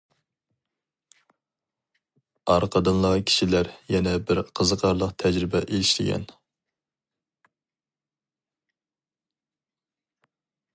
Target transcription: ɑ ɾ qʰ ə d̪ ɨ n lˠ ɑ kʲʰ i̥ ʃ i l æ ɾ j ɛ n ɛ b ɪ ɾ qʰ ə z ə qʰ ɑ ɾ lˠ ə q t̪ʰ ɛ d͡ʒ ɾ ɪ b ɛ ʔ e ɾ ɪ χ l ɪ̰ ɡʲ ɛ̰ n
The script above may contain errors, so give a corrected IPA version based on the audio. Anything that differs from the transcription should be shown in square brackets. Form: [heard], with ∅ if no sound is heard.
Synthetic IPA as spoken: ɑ ɾ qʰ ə d̪ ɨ n lˠ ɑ kʲʰ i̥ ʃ i l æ ɾ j ɛ n ɛ b ɪ ɾ qʰ ə z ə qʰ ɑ ɾ lˠ ə q t̪ʰ ɛ d͡ʒ ɾ ɪ b ɛ ʔ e [l] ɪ [ʃ] l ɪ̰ ɡʲ ɛ̰ n